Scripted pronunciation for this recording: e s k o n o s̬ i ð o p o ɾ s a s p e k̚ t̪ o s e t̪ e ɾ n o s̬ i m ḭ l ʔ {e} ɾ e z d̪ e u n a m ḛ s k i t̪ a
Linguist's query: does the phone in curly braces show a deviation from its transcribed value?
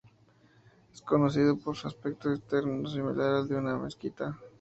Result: yes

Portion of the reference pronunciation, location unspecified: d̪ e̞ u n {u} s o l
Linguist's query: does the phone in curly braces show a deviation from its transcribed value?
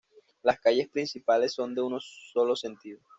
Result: yes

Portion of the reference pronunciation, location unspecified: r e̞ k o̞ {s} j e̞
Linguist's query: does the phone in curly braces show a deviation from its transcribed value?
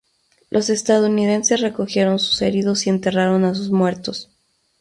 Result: yes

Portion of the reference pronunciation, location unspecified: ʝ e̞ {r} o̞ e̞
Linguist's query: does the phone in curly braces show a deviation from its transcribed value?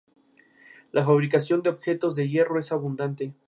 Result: no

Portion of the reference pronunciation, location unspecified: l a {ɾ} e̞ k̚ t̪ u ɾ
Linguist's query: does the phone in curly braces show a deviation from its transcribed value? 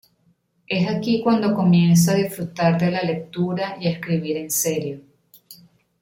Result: yes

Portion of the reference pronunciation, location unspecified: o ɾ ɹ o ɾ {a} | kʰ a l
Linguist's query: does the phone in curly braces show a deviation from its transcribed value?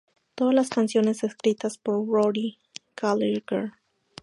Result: yes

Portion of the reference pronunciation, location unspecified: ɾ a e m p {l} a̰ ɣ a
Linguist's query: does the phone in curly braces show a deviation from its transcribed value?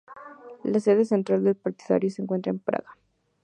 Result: yes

